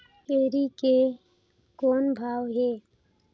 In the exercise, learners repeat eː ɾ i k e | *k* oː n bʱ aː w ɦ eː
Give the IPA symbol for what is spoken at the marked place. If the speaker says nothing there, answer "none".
k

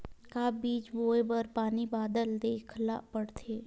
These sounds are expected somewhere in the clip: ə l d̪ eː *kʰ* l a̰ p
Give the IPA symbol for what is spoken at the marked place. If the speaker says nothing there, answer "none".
kʰ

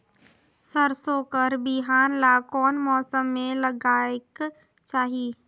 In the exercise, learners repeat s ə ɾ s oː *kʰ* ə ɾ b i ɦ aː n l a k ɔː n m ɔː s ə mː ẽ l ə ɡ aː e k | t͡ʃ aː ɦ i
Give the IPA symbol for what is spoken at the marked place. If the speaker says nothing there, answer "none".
k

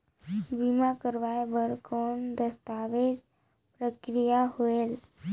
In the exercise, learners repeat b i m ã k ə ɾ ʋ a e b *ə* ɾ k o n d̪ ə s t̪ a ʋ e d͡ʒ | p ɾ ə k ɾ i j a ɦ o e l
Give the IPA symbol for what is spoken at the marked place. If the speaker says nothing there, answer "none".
ə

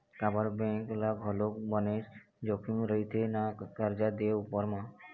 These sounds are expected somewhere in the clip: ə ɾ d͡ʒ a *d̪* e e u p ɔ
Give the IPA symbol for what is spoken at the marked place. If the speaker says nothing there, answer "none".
d̪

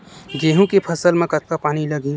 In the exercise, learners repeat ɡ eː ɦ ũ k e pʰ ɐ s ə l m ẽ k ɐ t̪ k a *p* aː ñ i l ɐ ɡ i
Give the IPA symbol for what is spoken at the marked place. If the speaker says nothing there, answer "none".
p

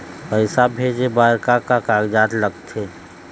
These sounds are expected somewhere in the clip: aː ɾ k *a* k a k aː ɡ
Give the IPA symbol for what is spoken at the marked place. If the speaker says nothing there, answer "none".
a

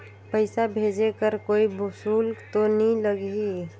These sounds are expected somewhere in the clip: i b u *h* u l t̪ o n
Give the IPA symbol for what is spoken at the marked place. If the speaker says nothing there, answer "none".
s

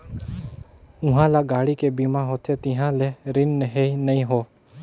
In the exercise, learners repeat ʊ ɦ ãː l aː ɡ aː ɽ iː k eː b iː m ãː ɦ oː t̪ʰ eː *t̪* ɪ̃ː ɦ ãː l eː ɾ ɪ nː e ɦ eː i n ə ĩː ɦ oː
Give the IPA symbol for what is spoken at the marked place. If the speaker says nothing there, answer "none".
t̪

